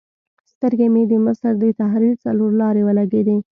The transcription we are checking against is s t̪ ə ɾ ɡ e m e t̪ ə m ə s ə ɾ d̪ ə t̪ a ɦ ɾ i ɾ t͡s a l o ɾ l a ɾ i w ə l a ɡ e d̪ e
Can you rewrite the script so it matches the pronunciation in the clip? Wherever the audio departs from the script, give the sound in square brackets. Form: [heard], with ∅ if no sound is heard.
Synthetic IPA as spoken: s t̪ ə ɾ ɡ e m e [d̪] ə m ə s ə ɾ d̪ ə t̪ a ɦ ɾ i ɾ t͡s a l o ɾ l [ɑ] ɾ [e] w ə l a ɡ e d̪ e